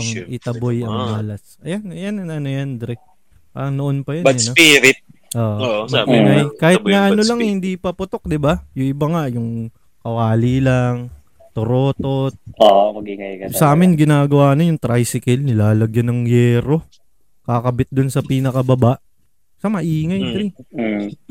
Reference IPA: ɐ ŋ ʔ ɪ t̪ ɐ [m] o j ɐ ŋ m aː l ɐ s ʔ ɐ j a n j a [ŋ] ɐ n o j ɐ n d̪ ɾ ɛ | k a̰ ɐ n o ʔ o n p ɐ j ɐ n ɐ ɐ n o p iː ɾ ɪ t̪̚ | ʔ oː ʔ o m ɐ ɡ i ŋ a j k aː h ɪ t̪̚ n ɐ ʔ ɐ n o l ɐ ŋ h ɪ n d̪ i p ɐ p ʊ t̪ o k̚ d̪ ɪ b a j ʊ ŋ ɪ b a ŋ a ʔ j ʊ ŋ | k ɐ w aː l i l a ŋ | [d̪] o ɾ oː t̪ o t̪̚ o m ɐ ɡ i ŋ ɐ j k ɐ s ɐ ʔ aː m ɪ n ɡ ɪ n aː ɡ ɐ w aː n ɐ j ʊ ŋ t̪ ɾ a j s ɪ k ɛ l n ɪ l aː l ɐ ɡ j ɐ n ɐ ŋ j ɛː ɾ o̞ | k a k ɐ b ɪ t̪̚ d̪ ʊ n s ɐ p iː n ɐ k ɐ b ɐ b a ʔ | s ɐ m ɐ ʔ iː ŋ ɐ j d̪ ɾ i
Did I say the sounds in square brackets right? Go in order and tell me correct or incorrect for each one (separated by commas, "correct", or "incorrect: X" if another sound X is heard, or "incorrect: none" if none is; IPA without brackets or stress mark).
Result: incorrect: b, incorrect: n, incorrect: t̪